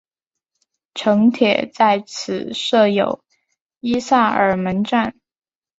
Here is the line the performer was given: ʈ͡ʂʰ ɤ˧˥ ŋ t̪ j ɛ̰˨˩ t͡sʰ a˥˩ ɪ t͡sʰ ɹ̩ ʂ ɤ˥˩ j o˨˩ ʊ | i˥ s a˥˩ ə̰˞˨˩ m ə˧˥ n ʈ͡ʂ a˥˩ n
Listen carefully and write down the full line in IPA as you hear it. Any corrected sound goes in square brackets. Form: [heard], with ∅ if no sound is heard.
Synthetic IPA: ʈ͡ʂʰ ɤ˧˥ ŋ [t̪ʰ] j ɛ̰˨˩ [t͡s] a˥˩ ɪ t͡sʰ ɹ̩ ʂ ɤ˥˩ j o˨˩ ʊ | i˥ s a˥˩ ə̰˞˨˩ m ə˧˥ n ʈ͡ʂ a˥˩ n

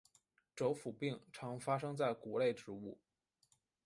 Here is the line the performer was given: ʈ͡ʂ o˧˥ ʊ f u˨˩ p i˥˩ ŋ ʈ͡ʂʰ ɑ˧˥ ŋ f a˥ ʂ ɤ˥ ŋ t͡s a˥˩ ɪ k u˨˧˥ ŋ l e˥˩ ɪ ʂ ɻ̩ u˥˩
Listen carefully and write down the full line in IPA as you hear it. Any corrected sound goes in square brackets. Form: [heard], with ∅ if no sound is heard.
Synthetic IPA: ʈ͡ʂ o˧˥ ʊ f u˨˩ p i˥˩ ŋ ʈ͡ʂʰ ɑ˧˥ ŋ f a˥ ʂ ɤ˥ ŋ t͡s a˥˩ ɪ k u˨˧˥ [∅] l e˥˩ ɪ [ʈ͡ʂ] ɻ̩ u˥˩

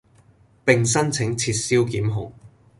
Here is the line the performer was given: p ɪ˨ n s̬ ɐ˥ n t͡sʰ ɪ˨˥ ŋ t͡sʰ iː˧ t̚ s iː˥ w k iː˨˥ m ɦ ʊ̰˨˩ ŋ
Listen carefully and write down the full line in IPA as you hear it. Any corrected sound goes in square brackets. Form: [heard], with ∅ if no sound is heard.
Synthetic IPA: p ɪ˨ [ŋ] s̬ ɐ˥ n t͡sʰ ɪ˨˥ ŋ t͡sʰ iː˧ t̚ s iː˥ w k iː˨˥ m ɦ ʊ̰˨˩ ŋ

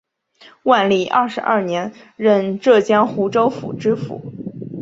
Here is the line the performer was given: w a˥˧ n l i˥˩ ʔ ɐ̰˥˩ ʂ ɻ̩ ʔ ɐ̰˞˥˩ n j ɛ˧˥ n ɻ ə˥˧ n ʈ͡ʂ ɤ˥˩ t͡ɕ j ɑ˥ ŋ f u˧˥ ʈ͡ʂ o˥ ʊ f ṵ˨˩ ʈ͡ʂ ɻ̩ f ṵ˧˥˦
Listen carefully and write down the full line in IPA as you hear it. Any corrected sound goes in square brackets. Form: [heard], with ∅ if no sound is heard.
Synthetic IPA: w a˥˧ n l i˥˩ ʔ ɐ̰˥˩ ʂ ɻ̩ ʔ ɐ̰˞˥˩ n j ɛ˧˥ n ɻ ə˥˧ n ʈ͡ʂ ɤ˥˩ t͡ɕ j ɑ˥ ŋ [x] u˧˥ ʈ͡ʂ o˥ ʊ f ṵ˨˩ ʈ͡ʂ ɻ̩ f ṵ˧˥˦

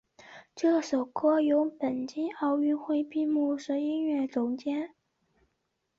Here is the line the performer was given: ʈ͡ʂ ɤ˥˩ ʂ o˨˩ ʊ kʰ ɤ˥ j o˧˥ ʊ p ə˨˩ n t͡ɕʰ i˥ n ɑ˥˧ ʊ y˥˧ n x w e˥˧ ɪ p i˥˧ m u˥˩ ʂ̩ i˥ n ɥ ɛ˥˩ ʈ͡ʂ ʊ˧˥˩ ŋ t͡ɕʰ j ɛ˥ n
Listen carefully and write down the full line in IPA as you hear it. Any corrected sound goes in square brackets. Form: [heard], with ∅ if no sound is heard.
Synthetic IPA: ʈ͡ʂ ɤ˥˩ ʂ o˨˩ ʊ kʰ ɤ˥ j o˧˥ ʊ p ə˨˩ n [t͡ɕ] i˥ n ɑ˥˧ ʊ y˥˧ n x w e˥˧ ɪ p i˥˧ m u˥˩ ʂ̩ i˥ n ɥ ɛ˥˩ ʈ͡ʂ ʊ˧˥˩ ŋ [t͡ɕ] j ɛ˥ n

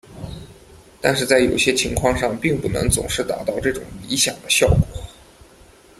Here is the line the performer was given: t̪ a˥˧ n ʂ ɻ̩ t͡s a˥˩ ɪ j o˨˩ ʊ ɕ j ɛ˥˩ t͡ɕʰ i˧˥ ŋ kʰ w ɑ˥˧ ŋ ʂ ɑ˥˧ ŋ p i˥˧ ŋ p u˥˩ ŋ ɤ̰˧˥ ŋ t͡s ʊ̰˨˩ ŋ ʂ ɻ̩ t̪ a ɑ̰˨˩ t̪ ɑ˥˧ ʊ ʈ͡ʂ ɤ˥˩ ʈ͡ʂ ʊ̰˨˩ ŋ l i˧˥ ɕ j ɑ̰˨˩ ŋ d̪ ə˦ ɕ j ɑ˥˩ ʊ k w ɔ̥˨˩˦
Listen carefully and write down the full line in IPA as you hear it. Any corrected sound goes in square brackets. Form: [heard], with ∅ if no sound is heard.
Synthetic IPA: t̪ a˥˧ n ʂ ɻ̩ t͡s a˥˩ ɪ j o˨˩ ʊ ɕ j [ɛ˥] t͡ɕʰ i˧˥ ŋ kʰ w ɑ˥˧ ŋ ʂ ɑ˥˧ ŋ p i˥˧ ŋ p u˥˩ [n] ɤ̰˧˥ ŋ t͡s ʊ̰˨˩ ŋ ʂ ɻ̩ t̪ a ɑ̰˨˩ t̪ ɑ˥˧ ʊ ʈ͡ʂ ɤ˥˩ ʈ͡ʂ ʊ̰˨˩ ŋ l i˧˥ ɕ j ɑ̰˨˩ ŋ d̪ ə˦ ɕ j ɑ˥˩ ʊ k w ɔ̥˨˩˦

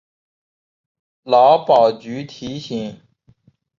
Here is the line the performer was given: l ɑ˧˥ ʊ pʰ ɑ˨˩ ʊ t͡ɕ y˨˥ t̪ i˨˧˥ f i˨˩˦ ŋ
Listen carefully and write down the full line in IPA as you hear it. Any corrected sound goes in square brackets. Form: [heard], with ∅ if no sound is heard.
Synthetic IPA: l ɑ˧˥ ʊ [p] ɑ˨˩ ʊ t͡ɕ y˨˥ [t̪ʰ] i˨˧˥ [ɕ] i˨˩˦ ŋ

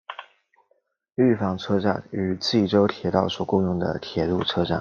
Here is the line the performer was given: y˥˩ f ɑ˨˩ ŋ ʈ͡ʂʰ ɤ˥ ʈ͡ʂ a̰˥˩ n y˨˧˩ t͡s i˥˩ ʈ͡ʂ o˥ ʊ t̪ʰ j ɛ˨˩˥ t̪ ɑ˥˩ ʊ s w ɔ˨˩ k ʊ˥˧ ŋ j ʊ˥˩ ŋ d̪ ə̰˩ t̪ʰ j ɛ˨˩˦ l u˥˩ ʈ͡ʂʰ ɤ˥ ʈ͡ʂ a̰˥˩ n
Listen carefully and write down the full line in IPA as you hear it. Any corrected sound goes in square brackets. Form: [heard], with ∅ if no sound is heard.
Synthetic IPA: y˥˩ f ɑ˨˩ ŋ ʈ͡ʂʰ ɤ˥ ʈ͡ʂ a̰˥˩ n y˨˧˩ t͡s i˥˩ ʈ͡ʂ o˥ ʊ t̪ʰ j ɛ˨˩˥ t̪ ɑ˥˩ ʊ s w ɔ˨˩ k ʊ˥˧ ŋ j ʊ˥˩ ŋ d̪ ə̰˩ t̪ʰ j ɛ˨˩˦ l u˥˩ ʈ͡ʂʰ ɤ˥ ʈ͡ʂ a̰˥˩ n

